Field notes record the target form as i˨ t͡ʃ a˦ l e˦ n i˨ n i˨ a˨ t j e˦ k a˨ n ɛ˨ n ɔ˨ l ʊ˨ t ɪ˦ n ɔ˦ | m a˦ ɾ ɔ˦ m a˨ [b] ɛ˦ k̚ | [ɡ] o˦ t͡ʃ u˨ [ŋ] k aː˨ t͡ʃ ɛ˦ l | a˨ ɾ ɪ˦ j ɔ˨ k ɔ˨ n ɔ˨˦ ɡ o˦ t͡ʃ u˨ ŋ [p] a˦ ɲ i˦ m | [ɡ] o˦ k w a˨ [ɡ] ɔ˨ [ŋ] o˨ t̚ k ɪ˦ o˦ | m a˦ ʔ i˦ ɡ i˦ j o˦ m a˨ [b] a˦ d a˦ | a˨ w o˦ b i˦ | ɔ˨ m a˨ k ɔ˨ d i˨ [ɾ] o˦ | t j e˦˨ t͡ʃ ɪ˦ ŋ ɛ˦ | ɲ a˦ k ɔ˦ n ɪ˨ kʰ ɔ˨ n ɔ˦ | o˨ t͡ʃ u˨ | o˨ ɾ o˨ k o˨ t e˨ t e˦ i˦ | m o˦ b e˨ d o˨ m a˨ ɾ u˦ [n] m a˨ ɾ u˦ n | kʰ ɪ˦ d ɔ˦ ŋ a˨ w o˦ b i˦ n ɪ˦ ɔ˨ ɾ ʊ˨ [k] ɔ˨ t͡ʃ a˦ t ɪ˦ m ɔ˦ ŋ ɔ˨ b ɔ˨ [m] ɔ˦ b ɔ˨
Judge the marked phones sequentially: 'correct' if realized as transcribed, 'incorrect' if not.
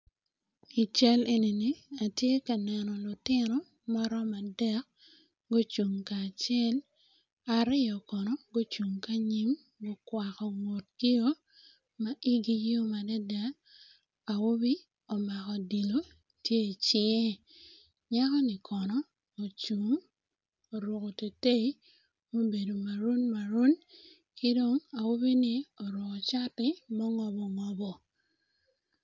incorrect: d, correct, correct, incorrect: k, correct, incorrect: k, correct, incorrect: d, incorrect: l, correct, correct, incorrect: ŋ

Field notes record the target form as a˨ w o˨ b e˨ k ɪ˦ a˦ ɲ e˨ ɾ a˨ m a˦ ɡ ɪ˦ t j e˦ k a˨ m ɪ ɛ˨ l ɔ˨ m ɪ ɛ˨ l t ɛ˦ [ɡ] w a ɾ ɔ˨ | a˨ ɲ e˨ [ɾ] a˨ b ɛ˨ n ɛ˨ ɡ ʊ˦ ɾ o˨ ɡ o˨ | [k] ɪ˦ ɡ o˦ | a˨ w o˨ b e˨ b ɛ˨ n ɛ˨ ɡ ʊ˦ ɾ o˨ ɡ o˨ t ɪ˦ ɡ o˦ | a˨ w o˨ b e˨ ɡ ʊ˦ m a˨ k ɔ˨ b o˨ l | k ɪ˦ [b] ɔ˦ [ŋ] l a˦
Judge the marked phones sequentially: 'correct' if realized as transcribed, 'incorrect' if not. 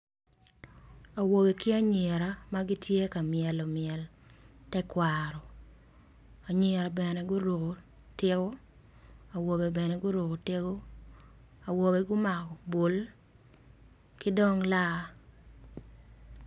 incorrect: k, correct, incorrect: t, incorrect: d, correct

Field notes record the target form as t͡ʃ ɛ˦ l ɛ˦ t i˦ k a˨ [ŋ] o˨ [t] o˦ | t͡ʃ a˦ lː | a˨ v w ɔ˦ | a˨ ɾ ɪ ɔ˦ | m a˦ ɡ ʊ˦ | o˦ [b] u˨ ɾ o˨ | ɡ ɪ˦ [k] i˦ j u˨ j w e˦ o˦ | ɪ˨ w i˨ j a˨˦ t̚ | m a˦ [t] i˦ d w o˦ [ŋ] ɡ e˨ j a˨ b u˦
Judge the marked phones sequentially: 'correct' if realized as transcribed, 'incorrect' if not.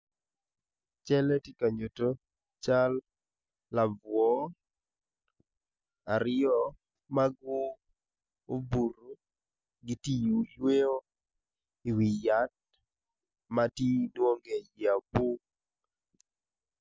incorrect: ɲ, correct, correct, incorrect: t, correct, correct

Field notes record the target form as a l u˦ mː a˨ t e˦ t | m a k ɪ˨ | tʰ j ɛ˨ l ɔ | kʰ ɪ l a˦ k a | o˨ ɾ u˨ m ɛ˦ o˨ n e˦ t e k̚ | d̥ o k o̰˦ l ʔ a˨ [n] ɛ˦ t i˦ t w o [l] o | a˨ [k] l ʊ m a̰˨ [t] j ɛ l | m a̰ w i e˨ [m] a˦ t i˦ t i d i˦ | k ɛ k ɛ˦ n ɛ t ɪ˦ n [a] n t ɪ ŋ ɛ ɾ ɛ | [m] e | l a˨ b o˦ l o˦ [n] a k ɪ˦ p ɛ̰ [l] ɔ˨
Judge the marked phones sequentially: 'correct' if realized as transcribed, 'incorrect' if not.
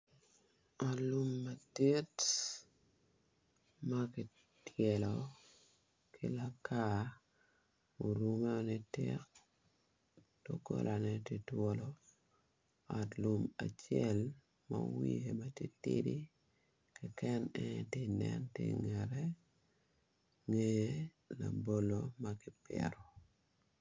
correct, correct, incorrect: t, incorrect: t͡ʃ, correct, incorrect: ɛ, incorrect: ŋ, incorrect: m, incorrect: ɾ

